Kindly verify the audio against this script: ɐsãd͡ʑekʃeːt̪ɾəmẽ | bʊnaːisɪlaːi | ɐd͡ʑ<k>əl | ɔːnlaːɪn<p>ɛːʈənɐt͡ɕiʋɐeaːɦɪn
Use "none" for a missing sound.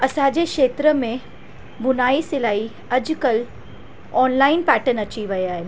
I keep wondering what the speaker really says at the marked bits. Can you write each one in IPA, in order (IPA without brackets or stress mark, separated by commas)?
k, p